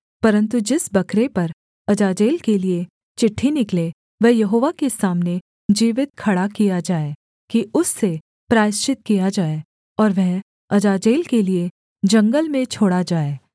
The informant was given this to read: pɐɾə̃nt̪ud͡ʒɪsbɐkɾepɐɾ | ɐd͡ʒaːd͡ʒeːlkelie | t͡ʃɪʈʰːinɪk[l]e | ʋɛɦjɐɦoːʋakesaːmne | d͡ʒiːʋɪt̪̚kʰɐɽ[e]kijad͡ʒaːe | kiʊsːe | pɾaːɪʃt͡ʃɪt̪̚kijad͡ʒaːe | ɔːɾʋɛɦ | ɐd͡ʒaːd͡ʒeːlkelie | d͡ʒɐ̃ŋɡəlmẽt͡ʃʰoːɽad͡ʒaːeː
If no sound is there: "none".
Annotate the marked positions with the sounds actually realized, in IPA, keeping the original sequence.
l, a

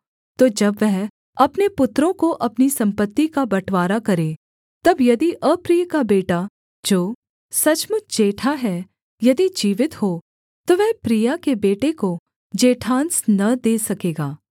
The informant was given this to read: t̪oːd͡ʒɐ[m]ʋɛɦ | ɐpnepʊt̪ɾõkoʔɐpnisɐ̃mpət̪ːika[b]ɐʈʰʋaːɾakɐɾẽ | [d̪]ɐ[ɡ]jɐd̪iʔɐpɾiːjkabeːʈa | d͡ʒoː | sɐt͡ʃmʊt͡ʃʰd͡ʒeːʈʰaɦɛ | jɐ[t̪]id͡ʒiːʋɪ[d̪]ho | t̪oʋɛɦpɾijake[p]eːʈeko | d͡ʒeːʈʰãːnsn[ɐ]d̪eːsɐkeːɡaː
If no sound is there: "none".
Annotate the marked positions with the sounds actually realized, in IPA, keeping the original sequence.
b, b, t̪, b, d̪, t̪, b, ɐ

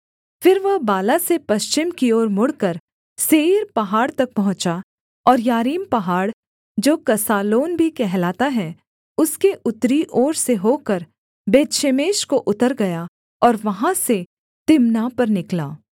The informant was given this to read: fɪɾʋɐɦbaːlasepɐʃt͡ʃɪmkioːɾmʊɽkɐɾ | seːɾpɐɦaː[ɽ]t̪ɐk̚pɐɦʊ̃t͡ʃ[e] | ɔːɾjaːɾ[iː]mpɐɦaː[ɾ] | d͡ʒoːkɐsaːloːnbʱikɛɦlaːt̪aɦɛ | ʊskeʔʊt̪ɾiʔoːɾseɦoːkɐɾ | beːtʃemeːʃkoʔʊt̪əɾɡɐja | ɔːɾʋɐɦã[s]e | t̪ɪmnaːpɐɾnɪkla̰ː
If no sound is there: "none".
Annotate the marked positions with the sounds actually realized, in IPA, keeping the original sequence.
ɽ, a, iː, ɽ, s

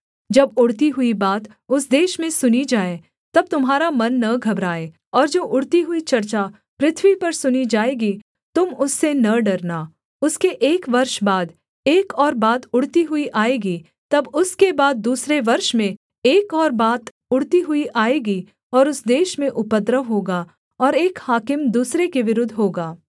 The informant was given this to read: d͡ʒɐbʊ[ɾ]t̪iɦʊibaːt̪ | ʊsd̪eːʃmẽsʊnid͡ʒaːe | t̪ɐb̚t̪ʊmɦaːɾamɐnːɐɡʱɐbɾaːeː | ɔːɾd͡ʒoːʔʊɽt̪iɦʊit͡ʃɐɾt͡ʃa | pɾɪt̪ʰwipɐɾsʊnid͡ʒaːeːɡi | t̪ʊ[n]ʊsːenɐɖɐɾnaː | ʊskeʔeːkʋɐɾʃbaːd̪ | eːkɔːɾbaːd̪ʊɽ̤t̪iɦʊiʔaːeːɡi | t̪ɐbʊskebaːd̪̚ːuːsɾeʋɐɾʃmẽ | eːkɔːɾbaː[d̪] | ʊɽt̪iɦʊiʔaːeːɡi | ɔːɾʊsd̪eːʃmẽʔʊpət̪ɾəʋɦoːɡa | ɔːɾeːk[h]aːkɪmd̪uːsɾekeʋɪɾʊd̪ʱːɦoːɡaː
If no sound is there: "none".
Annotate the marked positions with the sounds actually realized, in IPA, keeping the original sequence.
ɽ, m, t̪, h

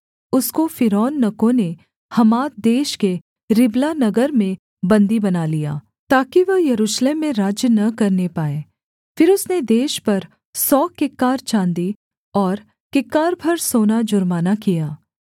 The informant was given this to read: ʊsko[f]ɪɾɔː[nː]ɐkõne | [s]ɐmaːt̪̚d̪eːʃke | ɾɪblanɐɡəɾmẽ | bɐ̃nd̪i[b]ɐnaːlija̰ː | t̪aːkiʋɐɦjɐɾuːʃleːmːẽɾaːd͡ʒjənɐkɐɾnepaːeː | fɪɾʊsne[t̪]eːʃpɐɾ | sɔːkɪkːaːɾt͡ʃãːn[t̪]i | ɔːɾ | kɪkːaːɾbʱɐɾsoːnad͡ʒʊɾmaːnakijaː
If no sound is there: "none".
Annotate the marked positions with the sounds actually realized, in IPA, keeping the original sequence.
f, nː, h, b, d̪, d̪

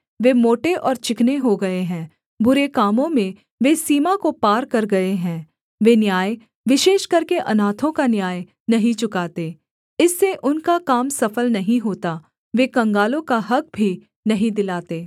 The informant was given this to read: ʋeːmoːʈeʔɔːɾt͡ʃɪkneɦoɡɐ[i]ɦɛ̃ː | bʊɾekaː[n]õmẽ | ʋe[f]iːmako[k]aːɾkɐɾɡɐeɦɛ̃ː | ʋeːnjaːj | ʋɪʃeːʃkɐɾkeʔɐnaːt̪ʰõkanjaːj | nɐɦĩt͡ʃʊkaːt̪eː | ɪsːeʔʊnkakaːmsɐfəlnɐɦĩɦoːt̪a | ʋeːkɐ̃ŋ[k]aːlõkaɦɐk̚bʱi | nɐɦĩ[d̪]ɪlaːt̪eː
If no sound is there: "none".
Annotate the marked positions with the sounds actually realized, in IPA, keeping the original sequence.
e, m, s, p, ɡ, d̪

